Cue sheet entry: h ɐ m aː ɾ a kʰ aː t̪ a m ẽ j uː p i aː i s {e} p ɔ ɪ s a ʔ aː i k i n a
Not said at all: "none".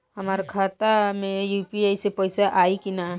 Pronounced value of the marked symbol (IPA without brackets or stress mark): e